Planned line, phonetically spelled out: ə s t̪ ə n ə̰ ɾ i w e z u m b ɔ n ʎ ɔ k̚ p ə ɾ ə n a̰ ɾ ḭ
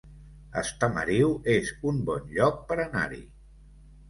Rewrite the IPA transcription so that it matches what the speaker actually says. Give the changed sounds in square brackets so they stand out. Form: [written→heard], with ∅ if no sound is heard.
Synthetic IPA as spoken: ə s t̪ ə [n→m] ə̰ ɾ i w e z u m b ɔ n ʎ ɔ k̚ p ə ɾ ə n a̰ ɾ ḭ